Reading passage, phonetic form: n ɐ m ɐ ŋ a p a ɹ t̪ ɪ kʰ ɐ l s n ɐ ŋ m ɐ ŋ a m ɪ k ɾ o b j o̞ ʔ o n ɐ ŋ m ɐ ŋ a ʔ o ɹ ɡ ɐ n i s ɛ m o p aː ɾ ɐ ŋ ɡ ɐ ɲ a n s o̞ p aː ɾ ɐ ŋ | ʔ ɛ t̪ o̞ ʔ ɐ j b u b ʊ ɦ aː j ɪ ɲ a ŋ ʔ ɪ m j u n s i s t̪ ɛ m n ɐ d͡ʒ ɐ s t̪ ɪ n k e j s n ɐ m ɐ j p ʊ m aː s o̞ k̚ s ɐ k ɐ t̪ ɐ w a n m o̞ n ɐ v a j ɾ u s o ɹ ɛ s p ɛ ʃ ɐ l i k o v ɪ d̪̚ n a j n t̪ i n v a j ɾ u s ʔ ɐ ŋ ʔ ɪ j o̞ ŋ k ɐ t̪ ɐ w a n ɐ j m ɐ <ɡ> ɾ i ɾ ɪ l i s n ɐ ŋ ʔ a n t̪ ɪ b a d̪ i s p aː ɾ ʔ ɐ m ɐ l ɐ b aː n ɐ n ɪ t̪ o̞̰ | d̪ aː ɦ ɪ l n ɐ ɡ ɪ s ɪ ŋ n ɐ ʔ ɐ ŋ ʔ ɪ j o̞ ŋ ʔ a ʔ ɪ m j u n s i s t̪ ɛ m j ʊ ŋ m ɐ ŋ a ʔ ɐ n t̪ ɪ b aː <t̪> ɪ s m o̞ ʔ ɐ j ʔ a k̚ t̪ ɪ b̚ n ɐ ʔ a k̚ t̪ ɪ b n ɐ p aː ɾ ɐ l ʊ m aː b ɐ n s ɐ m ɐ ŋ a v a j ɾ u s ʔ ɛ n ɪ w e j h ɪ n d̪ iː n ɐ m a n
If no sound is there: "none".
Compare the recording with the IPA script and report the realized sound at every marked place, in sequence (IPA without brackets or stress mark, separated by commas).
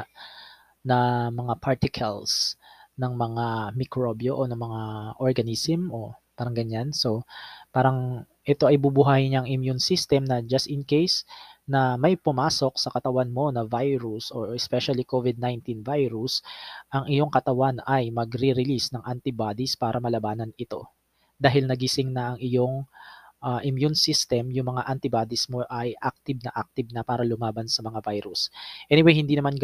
ɡ, d̪